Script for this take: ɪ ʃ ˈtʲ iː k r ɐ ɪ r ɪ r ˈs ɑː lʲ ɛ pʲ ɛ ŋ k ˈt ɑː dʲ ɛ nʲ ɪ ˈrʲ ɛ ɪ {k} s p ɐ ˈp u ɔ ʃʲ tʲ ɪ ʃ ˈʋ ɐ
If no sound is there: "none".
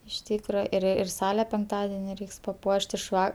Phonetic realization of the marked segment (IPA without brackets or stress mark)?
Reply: k